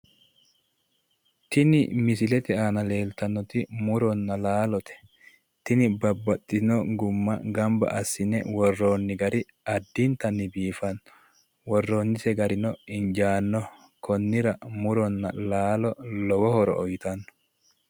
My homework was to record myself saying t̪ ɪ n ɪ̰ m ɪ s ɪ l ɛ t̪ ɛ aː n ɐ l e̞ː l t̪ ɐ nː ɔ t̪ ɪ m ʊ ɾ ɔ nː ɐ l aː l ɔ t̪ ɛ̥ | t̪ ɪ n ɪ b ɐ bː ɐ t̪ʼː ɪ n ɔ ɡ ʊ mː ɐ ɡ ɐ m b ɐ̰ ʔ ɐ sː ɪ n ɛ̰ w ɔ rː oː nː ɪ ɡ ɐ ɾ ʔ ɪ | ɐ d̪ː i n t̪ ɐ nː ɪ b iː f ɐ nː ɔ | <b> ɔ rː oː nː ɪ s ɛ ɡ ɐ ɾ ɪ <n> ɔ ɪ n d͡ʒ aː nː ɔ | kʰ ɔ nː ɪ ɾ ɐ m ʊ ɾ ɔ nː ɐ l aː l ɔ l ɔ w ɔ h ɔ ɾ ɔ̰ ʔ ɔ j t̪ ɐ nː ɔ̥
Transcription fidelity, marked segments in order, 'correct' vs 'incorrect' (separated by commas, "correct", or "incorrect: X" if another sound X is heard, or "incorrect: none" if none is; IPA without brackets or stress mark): incorrect: w, correct